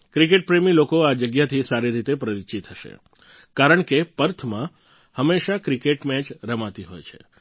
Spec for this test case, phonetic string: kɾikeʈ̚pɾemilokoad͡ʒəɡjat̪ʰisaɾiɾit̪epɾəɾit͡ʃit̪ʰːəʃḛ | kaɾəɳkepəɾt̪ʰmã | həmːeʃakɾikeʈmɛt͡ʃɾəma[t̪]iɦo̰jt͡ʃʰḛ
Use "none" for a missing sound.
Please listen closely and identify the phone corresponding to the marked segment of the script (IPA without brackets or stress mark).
t̪